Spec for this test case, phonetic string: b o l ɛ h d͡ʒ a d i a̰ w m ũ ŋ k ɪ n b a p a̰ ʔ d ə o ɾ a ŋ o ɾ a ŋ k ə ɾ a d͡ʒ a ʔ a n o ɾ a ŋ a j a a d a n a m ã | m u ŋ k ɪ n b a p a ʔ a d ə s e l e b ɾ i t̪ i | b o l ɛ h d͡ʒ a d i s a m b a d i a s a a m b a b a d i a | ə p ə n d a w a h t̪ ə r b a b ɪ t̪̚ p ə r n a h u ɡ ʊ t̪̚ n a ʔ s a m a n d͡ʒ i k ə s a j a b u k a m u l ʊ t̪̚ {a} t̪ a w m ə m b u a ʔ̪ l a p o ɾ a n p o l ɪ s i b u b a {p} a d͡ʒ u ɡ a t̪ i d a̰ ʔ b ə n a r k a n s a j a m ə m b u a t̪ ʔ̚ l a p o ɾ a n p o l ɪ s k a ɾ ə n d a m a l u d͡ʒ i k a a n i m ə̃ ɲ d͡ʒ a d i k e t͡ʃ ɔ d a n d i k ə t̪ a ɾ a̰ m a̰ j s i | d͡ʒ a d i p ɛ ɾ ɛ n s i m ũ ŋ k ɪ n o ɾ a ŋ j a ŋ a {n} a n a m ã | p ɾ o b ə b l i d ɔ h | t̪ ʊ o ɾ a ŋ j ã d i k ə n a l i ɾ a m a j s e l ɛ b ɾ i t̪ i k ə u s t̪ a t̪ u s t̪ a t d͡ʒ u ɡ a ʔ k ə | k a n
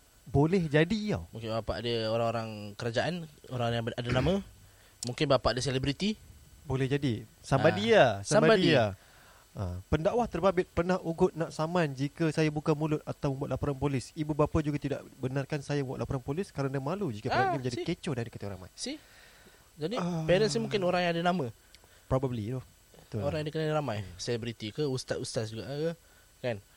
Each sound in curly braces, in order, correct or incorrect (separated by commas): correct, correct, incorrect